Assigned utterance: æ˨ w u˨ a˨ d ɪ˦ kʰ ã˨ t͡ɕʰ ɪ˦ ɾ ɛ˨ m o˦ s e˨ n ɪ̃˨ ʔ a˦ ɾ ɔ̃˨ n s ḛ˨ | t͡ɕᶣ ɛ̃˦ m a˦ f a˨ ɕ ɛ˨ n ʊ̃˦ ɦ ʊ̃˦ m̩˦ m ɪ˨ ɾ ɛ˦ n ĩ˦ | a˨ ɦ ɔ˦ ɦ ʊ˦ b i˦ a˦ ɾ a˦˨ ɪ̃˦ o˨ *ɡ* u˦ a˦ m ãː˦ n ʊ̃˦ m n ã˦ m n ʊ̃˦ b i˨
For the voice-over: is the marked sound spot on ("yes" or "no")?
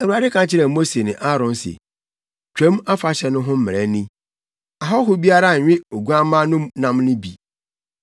yes